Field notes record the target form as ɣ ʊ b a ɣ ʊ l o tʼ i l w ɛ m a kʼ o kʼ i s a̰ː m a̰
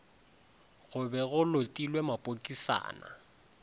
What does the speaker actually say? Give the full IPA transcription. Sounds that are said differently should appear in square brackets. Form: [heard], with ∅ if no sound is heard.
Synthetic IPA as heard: ɣ ʊ b [ɛ] ɣ ʊ l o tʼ i l w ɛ m a [pʼ] o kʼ i s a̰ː [n] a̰